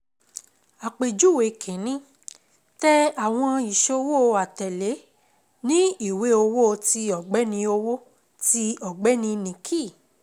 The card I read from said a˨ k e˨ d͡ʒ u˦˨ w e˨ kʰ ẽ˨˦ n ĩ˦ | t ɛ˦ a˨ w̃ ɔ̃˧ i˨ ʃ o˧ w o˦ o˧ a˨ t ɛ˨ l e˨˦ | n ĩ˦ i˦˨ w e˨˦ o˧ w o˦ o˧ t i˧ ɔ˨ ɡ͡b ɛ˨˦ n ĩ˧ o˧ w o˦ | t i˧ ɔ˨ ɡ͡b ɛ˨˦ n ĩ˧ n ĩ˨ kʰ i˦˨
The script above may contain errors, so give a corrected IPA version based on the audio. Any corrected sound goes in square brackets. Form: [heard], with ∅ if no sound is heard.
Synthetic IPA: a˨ [k͡p] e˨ d͡ʒ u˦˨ w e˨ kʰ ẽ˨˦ n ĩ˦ | t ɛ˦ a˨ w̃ ɔ̃˧ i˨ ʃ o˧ w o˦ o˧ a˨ t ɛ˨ l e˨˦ | n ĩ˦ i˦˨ w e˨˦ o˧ w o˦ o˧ t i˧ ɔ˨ ɡ͡b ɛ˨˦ n ĩ˧ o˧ w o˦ | t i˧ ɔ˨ ɡ͡b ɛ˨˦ n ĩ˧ n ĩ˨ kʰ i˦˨